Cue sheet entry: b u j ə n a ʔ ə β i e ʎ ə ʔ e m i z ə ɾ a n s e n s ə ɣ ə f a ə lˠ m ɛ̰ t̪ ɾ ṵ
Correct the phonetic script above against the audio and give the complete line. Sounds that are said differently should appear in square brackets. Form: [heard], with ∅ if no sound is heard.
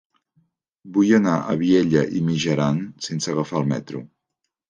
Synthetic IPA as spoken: b u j ə n a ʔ ə β i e ʎ ə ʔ [i] m i [ʒ] ə ɾ a n s e n s ə ɣ ə f a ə lˠ m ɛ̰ t̪ ɾ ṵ